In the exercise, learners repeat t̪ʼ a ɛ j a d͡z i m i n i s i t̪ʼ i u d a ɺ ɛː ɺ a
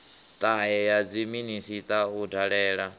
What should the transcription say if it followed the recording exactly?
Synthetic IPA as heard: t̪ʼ a ɛ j a d͡z i m i n i s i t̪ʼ a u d a ɺ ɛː ɺ a